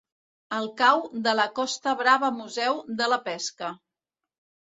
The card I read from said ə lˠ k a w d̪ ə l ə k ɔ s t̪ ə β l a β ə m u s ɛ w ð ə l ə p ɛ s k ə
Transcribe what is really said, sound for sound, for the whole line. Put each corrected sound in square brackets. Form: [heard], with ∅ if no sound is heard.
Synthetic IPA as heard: ə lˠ k a w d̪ ə l ə k ɔ s t̪ ə β [ɾ] a β ə m u [z] ɛ w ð ə l ə p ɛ s k ə